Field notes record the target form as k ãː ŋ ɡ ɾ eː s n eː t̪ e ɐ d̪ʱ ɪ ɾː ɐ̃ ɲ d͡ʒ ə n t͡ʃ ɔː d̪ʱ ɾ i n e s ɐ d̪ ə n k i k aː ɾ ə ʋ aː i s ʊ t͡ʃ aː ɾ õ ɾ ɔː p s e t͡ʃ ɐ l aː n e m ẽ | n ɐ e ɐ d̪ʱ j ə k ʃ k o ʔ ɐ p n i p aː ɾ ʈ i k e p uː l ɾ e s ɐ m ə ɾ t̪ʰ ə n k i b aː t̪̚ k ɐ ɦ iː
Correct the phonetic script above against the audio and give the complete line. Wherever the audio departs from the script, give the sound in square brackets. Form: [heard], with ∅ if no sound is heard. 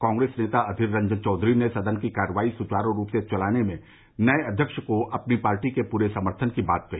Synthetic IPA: k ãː ŋ ɡ ɾ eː s n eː t̪ [a] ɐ d̪ʱ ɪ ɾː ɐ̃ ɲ d͡ʒ ə n t͡ʃ ɔː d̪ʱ ɾ i n e s ɐ d̪ ə n k i k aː ɾ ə ʋ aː i s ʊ t͡ʃ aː ɾ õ ɾ [uː] p s e t͡ʃ ɐ l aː n e m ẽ | n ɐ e ɐ d̪ʱ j ə k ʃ k o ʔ ɐ p n i p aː ɾ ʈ i k e p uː [∅] ɾ e s ɐ m ə ɾ t̪ʰ ə n k i b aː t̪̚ k ɐ ɦ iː

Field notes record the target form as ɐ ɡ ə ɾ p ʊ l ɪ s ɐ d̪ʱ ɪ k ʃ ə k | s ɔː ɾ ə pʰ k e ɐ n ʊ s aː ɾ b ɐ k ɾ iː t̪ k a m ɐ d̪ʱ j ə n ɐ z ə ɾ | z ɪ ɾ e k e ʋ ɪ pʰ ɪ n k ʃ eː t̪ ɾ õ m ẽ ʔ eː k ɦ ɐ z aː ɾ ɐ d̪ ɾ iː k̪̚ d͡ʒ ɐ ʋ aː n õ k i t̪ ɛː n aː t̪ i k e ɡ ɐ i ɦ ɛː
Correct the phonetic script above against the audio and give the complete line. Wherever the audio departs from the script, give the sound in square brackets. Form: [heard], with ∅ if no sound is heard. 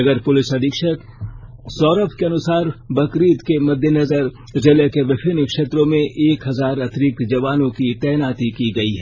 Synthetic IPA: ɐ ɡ ə ɾ p ʊ l ɪ s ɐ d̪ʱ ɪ k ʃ ə k | s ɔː ɾ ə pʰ k e ɐ n ʊ s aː ɾ b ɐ k ɾ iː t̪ k [e] m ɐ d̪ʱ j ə n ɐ z ə ɾ | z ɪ [l] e k e ʋ ɪ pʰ ɪ n k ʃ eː t̪ ɾ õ m ẽ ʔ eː k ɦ ɐ z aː ɾ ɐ [t̪] ɾ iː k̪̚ d͡ʒ ɐ ʋ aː n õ k i t̪ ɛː n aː t̪ i k [i] ɡ ɐ i ɦ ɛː

